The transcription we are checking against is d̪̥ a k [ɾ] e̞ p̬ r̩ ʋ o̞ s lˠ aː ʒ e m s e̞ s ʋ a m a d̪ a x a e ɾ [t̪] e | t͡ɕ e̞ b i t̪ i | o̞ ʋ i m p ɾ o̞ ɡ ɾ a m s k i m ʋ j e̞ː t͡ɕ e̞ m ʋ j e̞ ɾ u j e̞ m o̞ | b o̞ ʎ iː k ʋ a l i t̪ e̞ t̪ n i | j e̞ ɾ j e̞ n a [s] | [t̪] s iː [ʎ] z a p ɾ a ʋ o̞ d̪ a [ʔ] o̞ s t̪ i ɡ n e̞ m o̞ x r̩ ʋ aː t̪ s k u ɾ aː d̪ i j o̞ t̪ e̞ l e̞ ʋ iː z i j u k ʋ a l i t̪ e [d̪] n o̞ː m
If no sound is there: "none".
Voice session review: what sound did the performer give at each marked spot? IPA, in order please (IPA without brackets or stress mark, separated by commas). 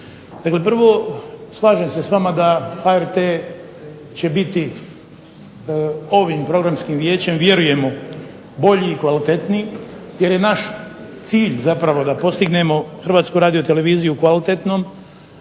l, t̪, ʃ, t̪, ʎ, p, t̪